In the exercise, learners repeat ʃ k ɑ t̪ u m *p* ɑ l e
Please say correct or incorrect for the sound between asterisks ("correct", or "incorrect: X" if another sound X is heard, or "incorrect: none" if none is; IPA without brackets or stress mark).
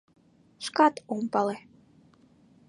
correct